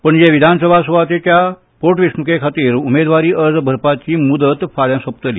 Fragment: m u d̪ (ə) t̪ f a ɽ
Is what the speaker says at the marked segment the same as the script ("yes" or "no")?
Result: yes